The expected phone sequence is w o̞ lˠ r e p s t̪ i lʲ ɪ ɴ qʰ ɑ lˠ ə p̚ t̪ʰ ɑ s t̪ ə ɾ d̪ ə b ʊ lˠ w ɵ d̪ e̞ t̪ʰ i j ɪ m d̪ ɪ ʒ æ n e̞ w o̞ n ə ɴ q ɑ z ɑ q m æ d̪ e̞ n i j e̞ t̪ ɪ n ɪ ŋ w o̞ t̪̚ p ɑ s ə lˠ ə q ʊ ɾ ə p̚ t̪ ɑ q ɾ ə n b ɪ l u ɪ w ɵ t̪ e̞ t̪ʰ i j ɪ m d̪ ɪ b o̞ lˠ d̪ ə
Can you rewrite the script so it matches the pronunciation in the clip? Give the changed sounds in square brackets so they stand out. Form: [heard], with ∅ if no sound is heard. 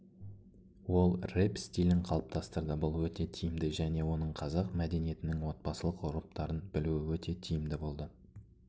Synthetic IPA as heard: w o̞ lˠ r e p s t̪ i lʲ ɪ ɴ qʰ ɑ lˠ ə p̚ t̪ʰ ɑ s t̪ ə ɾ d̪ ə b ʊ lˠ w ɵ [t̪] e̞ t̪ʰ i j ɪ m d̪ ɪ ʒ æ n e̞ w o̞ n ə ɴ [qʰ] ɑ z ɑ q m æ d̪ e̞ n i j e̞ t̪ ɪ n ɪ ŋ w o̞ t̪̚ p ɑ s ə lˠ ə q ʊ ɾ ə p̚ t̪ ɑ [∅] ɾ ə n b ɪ l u ɪ w ɵ t̪ e̞ t̪ʰ i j ɪ m d̪ ɪ b o̞ lˠ d̪ ə